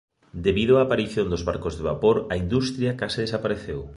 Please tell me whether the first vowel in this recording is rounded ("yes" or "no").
no